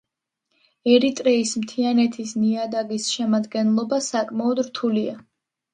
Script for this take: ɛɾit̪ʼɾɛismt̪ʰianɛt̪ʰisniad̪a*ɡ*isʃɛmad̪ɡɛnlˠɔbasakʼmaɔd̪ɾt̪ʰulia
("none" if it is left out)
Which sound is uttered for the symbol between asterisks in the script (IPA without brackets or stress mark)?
ɡ